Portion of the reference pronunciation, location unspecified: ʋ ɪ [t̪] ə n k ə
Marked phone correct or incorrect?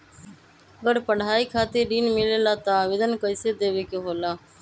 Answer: incorrect